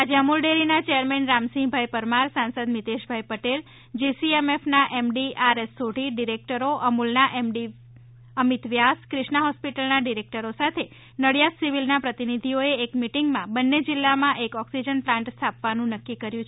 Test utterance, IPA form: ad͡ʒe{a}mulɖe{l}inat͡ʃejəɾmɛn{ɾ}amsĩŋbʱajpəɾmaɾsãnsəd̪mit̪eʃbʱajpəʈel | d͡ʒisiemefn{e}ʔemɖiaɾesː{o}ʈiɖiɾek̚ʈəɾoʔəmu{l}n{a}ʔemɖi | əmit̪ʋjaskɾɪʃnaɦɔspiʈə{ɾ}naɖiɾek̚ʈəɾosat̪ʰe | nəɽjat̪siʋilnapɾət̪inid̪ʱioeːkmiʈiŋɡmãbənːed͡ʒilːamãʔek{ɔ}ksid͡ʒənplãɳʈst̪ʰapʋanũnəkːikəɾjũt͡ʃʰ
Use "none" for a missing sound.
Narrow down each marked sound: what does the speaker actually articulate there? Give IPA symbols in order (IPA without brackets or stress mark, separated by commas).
ə, ɾ, ɾ, a, o, l, a, l, ɔ